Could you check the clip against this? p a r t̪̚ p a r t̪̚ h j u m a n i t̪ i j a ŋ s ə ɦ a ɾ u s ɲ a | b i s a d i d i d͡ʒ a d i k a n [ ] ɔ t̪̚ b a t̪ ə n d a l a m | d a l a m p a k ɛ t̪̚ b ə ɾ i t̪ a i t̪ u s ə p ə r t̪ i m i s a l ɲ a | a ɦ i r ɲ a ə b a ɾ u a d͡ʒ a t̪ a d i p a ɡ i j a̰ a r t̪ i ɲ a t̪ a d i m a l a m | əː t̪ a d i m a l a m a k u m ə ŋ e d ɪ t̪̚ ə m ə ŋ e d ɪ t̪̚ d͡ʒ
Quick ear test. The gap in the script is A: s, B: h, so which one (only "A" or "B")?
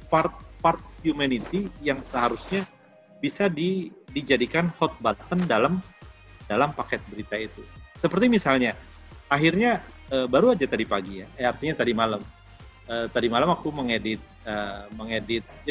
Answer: B